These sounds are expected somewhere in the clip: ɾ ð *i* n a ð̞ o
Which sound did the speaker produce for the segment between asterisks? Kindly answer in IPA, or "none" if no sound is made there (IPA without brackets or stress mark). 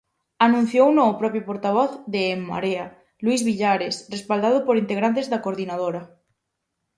i